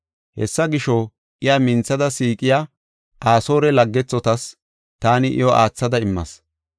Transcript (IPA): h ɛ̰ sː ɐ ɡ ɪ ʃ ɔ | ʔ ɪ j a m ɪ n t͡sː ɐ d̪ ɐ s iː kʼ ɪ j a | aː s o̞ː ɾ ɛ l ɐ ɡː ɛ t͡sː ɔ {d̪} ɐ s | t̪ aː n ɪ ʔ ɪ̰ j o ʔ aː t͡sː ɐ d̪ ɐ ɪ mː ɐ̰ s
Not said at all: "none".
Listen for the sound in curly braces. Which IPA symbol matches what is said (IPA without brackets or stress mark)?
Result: t̪